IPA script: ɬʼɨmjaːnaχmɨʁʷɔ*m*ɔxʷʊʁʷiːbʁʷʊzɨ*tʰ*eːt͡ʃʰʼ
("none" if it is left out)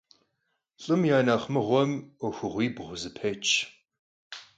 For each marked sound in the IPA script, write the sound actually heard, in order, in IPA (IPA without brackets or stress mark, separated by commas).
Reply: m, pʰ